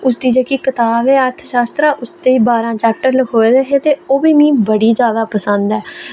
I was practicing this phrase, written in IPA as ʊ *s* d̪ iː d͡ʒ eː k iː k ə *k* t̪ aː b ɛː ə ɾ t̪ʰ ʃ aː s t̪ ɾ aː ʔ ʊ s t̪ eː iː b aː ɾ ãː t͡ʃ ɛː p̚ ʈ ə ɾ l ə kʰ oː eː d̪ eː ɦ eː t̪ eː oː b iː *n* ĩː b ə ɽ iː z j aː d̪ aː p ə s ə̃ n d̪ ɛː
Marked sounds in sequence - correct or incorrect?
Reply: correct, incorrect, incorrect

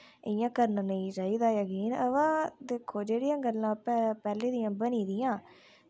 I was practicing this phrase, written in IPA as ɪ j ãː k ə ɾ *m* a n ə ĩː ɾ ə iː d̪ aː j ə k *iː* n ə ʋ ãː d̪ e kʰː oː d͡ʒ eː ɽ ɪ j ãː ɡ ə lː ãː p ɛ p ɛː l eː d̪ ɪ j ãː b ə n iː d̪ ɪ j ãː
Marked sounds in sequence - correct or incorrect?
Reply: incorrect, correct

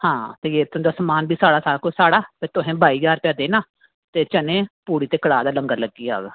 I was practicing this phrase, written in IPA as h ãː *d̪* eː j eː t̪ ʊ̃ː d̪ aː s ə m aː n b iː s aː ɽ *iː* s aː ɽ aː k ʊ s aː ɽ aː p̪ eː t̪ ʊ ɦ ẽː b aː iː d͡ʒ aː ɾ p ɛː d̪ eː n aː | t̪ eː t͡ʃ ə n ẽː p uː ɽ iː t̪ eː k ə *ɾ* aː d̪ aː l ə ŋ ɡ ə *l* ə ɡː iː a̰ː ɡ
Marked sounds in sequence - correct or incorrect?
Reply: incorrect, incorrect, incorrect, correct

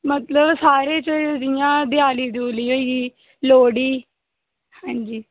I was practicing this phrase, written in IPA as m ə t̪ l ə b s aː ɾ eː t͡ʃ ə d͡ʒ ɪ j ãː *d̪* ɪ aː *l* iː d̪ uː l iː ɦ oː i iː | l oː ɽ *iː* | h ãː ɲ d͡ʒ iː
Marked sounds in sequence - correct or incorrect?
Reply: correct, correct, correct

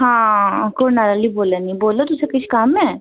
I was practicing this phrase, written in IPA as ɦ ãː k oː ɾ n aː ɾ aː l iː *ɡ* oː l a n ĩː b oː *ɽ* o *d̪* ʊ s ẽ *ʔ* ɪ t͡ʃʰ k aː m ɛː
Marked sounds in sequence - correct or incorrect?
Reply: incorrect, incorrect, incorrect, incorrect

